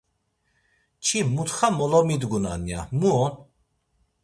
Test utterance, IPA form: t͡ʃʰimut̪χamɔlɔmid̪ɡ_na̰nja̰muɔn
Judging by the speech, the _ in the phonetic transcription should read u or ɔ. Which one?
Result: u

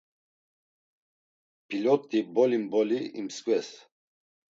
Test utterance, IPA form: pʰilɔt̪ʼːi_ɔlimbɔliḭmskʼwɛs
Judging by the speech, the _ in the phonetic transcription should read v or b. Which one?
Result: b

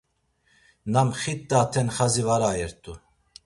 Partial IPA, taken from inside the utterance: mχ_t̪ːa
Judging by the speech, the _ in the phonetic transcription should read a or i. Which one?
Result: i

